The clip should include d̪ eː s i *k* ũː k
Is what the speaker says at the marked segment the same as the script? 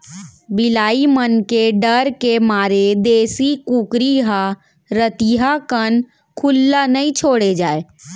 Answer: yes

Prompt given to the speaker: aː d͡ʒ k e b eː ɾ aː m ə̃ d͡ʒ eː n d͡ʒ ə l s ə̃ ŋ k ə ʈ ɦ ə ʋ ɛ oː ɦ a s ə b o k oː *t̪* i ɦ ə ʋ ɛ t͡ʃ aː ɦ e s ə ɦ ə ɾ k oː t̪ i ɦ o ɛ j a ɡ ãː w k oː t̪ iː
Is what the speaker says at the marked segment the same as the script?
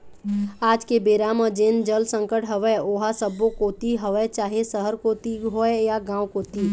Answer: yes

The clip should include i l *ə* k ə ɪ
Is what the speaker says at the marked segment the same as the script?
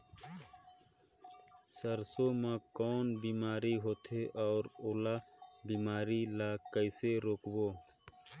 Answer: no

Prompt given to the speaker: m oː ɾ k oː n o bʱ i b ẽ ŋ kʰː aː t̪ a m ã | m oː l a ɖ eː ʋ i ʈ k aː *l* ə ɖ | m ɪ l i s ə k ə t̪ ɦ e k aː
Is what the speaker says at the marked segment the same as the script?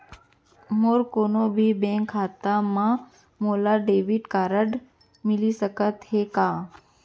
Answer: no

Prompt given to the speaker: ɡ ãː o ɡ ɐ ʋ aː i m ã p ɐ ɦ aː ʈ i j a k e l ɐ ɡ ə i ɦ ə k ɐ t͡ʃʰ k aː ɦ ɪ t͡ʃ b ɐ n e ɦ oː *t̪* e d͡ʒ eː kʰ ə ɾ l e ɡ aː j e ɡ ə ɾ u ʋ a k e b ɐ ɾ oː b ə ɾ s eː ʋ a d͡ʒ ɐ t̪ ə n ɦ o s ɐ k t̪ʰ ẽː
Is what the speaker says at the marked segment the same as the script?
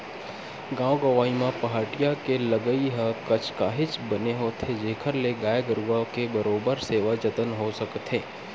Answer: no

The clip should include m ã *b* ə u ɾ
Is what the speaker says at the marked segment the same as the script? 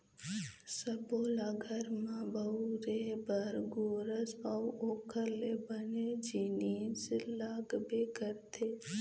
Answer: yes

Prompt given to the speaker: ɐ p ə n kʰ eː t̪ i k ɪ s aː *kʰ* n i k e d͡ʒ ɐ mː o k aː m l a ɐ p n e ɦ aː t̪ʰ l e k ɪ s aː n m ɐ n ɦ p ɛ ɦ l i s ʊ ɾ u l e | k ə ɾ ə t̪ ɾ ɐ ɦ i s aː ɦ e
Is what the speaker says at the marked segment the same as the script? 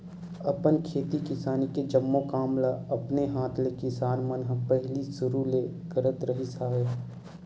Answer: no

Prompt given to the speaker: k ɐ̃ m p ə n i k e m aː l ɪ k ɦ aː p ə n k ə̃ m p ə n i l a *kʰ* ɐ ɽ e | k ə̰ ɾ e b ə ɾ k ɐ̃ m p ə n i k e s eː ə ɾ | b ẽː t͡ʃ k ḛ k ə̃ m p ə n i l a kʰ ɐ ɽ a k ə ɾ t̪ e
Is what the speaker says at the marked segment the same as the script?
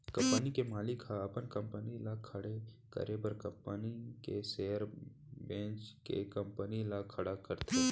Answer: yes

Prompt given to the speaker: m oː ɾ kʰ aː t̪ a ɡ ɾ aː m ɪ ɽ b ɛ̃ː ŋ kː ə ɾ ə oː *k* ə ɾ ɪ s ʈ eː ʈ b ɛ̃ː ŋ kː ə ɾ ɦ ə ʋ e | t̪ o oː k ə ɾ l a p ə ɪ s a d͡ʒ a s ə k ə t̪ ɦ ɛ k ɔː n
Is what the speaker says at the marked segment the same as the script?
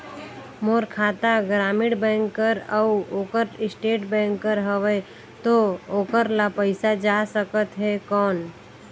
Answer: yes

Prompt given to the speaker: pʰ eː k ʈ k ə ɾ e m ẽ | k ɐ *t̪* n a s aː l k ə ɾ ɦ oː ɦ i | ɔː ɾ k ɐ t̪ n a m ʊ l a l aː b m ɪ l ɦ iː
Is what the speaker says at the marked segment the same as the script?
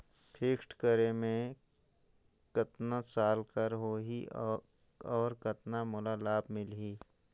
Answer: yes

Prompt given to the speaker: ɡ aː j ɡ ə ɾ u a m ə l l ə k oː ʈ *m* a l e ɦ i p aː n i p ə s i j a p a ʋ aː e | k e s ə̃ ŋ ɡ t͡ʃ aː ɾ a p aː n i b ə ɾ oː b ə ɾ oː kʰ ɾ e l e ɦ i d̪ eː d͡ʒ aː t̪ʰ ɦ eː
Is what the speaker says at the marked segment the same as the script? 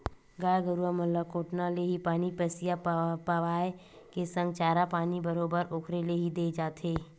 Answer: no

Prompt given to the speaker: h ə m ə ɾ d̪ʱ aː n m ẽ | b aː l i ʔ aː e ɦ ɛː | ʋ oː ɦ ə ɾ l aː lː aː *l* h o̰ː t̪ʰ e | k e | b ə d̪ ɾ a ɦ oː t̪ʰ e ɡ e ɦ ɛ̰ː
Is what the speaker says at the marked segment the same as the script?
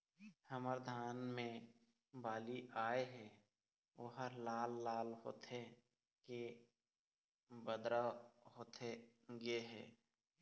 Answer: yes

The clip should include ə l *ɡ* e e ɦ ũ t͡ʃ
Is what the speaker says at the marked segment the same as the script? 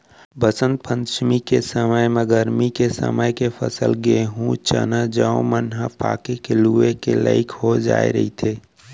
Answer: yes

